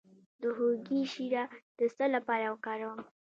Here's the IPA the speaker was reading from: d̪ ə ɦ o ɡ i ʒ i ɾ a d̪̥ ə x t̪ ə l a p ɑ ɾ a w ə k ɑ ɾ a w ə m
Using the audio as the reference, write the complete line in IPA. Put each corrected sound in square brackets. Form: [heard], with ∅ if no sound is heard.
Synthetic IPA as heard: d̪ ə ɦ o ɡ i [ʃ] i ɾ a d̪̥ ə [s] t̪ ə l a p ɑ ɾ a w ə k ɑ ɾ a w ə m